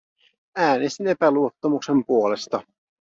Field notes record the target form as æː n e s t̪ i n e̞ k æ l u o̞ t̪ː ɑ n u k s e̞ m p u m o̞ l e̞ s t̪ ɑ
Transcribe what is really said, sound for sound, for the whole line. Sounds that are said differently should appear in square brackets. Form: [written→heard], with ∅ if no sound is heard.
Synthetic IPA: æː n e s t̪ i n e̞ [k→p] æ l u o̞ t̪ː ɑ [n→m] u k s e̞ m p u [m→∅] o̞ l e̞ s t̪ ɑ